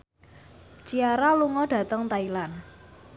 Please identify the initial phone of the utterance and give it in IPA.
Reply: t͡ʃ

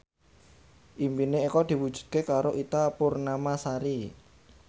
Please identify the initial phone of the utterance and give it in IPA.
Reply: ʔ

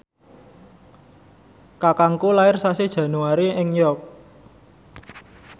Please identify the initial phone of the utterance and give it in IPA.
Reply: k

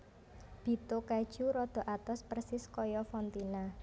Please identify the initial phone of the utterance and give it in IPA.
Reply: b̥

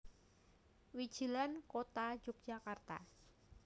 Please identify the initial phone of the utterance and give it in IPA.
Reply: w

